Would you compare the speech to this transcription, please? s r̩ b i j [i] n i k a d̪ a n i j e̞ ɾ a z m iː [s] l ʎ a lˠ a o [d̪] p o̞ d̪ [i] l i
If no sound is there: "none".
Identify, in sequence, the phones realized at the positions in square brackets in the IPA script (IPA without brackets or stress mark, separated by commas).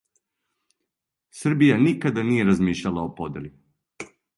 a, ʃ, none, e